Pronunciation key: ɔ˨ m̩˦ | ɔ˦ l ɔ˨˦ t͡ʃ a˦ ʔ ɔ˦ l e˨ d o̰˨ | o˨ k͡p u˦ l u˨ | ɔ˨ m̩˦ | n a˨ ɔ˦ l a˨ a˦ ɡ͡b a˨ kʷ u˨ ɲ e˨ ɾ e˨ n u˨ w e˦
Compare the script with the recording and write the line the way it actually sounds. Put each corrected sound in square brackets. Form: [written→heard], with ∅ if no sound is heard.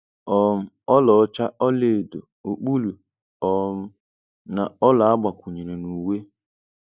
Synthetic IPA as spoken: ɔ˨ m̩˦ | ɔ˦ l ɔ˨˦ t͡ʃ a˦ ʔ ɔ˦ l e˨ d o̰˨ | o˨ k͡p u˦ l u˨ | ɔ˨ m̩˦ | n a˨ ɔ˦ l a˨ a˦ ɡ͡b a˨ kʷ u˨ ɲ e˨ ɾ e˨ n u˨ w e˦